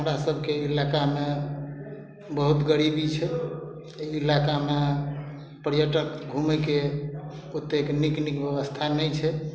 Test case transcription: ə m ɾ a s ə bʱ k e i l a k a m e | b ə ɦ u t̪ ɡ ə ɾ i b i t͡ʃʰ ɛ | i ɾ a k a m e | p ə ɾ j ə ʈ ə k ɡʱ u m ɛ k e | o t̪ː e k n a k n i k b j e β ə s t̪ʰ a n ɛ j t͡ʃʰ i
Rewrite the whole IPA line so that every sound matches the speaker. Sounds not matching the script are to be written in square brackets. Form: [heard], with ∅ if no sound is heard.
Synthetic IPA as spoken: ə m ɾ a s ə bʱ k e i l a k a m e | b ə ɦ u t̪ ɡ ə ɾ i b i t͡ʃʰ ɛ | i [l] a k a m e | p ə ɾ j ə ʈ ə k ɡʱ u m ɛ k e | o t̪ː e k n [i] k n i k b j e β ə s t̪ʰ a n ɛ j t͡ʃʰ [ɛ]